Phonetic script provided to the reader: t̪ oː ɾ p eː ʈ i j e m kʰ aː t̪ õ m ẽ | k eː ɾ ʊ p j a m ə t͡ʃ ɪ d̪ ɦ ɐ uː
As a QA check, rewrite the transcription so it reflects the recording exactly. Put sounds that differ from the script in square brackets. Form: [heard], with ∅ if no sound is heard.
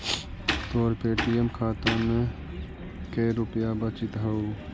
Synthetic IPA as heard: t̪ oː ɾ p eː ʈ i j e m kʰ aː t̪ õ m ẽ | k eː ɾ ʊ p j a [b] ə t͡ʃ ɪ [t̪] ɦ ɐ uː